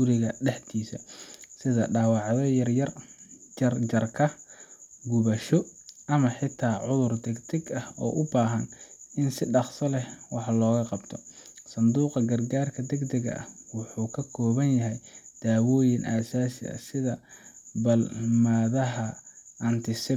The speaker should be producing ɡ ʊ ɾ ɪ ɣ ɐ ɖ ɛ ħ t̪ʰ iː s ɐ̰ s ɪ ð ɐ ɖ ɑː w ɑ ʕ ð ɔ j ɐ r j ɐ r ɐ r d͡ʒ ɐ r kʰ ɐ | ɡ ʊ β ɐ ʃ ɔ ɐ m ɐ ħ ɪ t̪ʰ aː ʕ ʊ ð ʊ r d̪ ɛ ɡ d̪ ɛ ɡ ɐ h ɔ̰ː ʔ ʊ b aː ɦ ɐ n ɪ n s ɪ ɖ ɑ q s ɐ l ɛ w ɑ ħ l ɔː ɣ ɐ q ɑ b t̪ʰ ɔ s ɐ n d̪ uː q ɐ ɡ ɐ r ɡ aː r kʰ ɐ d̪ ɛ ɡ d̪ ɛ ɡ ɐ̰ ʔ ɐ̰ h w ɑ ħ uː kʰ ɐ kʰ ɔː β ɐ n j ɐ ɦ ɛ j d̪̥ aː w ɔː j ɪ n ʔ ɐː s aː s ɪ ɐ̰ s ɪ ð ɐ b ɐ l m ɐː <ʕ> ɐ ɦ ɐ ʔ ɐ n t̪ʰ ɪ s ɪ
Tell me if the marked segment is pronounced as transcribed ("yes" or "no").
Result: no